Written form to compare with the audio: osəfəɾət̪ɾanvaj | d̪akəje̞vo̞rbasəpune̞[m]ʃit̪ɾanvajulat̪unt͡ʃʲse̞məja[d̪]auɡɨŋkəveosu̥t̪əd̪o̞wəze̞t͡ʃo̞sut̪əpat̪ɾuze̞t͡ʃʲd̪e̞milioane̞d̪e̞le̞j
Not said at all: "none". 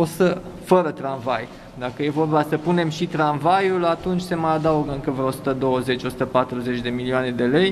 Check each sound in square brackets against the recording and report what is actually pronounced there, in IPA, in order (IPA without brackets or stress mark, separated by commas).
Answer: m, d̪